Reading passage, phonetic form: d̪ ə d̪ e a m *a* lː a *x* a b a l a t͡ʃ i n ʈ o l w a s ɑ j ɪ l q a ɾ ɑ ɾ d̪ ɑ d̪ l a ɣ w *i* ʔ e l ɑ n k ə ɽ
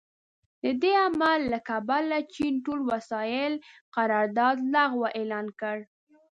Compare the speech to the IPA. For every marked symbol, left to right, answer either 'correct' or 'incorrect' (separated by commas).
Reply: correct, incorrect, incorrect